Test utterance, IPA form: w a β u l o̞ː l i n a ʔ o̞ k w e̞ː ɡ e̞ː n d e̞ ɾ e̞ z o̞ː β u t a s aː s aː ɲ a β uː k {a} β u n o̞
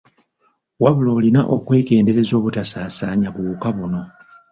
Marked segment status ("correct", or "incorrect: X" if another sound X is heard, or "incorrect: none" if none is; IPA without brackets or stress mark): correct